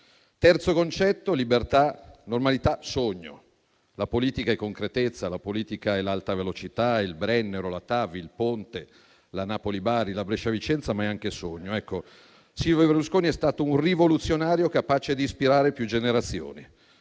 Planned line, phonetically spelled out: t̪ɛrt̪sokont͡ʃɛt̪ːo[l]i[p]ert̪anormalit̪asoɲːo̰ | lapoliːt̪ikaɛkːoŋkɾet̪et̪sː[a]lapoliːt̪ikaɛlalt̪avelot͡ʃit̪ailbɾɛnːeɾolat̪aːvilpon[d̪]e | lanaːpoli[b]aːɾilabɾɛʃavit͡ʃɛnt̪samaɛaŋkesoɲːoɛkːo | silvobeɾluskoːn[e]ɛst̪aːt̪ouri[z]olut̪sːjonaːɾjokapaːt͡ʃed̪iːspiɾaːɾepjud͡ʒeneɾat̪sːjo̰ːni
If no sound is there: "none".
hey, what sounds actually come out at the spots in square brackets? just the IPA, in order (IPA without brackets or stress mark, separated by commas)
l, b, a, t̪, b, i, v